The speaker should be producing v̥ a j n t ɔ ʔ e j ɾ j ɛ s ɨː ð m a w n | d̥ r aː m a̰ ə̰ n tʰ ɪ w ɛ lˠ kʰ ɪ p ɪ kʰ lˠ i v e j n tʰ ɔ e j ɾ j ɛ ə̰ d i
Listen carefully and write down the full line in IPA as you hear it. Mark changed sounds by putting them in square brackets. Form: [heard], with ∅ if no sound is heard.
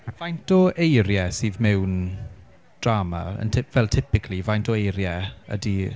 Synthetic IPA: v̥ a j n t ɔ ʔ e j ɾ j ɛ s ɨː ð m [ɛ] w n | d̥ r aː m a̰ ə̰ n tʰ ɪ [v] ɛ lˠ [tʰ] ɪ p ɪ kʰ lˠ i v [a] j n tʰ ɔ e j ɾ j ɛ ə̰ d i